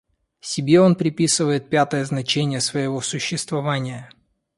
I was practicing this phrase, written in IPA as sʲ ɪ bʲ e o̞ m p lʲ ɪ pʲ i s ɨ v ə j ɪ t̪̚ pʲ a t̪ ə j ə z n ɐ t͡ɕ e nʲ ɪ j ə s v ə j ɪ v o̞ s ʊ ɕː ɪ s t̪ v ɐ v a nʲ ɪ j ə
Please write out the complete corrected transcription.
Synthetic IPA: sʲ ɪ bʲ e o̞ n p ɾʲ ɪ pʲ i s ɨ v ə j ɪ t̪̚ pʲ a t̪ ə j ə z n ɐ t͡ɕ e nʲ ɪ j ə s v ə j ɪ v o̞ s ʊ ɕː ɪ s t̪ v ɐ v a nʲ ɪ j ə